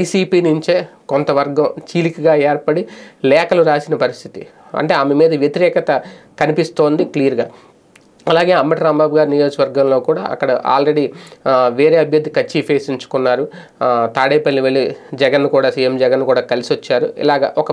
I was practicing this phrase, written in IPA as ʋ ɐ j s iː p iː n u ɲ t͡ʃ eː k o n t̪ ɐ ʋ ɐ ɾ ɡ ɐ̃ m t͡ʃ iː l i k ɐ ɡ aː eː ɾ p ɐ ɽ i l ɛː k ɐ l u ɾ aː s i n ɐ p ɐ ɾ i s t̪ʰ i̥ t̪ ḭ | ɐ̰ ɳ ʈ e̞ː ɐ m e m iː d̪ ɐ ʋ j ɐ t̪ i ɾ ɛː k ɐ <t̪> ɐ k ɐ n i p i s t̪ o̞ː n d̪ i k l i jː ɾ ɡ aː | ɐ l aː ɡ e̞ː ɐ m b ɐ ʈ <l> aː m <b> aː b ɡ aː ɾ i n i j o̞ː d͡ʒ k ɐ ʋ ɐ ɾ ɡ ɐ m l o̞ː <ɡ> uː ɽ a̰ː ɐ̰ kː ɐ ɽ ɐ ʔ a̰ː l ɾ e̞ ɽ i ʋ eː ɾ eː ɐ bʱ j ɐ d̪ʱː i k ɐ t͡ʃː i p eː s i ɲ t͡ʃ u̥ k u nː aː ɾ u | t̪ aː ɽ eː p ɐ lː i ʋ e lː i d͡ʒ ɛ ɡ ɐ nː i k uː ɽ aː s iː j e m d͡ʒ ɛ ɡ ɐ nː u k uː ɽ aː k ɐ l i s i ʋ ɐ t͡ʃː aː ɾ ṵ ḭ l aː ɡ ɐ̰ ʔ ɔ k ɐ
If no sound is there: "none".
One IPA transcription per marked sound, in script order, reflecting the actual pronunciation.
t̪, ɾ, b, k

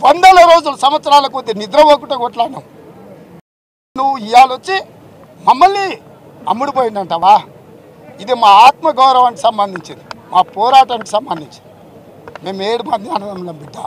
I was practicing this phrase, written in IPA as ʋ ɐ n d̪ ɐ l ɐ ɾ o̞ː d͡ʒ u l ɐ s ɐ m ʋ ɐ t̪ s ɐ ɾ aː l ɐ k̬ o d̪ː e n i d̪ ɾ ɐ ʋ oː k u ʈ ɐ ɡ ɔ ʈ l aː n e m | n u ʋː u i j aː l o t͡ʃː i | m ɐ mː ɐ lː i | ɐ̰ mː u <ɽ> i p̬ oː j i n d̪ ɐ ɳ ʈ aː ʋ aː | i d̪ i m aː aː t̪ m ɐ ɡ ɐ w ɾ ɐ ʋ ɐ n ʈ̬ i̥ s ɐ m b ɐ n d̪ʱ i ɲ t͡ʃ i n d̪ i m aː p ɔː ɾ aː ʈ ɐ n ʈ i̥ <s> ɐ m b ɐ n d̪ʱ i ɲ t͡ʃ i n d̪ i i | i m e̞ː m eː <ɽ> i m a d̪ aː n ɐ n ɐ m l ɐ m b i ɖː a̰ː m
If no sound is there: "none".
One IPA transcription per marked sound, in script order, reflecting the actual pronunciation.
ɽ, s, ɽ

